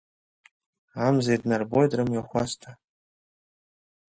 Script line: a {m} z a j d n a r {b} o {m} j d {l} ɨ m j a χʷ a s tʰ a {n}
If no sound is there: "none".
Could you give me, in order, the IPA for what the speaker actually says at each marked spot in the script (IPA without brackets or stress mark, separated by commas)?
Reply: m, b, none, r, none